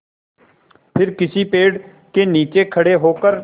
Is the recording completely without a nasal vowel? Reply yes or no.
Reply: yes